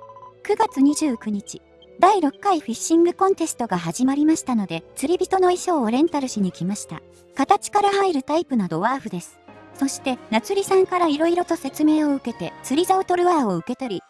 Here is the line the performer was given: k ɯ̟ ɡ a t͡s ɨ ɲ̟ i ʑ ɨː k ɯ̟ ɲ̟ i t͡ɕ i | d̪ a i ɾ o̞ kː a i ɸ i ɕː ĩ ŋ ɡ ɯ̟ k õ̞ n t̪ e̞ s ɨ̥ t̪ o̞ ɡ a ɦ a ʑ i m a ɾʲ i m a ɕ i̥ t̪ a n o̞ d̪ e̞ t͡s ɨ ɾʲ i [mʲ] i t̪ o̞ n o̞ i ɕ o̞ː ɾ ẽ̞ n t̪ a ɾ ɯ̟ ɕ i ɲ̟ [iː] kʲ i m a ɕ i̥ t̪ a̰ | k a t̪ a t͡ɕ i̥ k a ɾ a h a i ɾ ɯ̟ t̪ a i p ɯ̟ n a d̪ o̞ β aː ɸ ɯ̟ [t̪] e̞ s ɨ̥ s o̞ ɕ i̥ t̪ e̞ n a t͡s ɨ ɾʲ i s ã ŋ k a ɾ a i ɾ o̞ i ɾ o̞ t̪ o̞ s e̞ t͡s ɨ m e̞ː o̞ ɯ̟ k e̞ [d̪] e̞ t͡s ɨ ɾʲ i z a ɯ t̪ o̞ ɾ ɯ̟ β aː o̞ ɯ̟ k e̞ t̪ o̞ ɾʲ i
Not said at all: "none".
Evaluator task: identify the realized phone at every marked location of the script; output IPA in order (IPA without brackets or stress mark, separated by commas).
bʲ, i, d̪, t̪